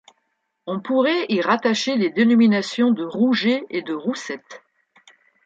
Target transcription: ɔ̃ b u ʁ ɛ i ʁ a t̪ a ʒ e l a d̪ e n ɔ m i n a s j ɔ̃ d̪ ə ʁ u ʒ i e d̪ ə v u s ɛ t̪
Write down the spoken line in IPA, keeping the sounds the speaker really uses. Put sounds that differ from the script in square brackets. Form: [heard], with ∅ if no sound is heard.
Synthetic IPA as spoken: ɔ̃ [p] u ʁ ɛ i ʁ a t̪ a [ʃ] e l [e] d̪ e n ɔ m i n a s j ɔ̃ d̪ ə ʁ u ʒ [e] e d̪ ə [ʁ] u s ɛ t̪